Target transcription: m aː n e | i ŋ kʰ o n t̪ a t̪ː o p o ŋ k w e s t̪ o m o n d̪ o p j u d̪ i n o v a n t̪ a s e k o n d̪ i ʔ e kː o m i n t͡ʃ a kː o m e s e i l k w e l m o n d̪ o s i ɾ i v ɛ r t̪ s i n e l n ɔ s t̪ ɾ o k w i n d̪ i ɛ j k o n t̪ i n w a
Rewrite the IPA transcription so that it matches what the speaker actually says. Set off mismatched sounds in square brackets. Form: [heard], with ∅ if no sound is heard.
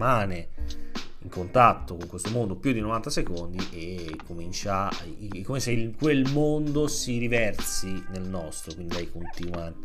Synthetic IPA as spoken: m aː n e | i ŋ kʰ o n t̪ a t̪ː o [k] o ŋ k w e s t̪ o m o n d̪ o p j u d̪ i n o v a n t̪ a s e k o n d̪ i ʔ e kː o m i n t͡ʃ a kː o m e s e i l k w e l m o n d̪ o s i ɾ i v ɛ r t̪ s i n e l n ɔ s t̪ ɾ o k w i n d̪ i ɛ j k o n t̪ i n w a